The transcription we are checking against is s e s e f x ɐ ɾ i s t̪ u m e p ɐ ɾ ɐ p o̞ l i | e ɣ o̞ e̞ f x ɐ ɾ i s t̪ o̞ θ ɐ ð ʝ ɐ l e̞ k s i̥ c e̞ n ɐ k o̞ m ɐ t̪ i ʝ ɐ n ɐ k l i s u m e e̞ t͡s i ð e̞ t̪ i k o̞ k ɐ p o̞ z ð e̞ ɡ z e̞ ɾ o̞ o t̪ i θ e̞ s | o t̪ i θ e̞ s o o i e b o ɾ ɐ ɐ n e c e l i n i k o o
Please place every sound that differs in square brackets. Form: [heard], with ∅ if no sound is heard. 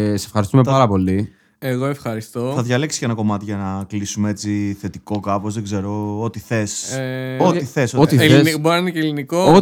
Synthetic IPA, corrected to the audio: s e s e f x ɐ ɾ i s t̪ u m e p ɐ ɾ ɐ p o̞ l i | e ɣ o̞ e̞ f x ɐ ɾ i s t̪ o̞ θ ɐ ð ʝ ɐ l e̞ k s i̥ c e̞ n ɐ k o̞ m ɐ t̪ i ʝ ɐ n ɐ k l i s u m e e̞ t͡s i [θ] e̞ t̪ i k o̞ k ɐ p o̞ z ð e̞ ɡ z e̞ ɾ o̞ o t̪ i θ e̞ s | o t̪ i θ e̞ s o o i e b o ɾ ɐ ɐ n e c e l i n i k o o